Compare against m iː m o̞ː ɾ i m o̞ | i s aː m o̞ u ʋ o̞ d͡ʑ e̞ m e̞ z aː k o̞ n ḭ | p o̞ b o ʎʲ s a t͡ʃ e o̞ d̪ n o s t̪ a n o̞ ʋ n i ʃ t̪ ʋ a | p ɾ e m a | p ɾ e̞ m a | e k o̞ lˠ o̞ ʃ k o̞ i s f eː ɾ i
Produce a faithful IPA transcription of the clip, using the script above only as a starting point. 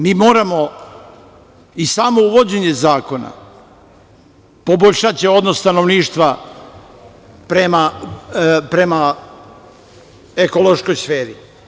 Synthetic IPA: m iː m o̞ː ɾ a m o̞ | i s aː m o̞ u ʋ o̞ d͡ʑ e̞ ɲ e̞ z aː k o̞ n a̰ | p o̞ b o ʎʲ ʃ a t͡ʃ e o̞ d̪ n o s t̪ a n o̞ ʋ n iː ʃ t̪ ʋ a | p ɾ e m a | p ɾ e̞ m a | e k o̞ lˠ o̞ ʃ k o̞ j s f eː ɾ i